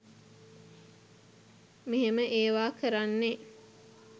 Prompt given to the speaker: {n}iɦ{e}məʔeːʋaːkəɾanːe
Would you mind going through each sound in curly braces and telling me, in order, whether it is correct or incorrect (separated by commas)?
incorrect, correct